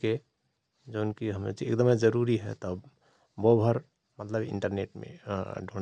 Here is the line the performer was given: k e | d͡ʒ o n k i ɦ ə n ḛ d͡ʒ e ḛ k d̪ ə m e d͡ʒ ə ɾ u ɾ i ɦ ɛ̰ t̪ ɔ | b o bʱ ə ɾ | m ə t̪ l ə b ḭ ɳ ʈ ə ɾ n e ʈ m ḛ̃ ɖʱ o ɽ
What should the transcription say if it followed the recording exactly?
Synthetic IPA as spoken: k e | d͡ʒ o n k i ɦ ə m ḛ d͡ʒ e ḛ k d̪ ə m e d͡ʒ ə ɾ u ɾ i ɦ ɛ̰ t̪ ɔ | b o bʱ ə ɾ | m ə t̪ l ə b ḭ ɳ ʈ ə ɾ n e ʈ m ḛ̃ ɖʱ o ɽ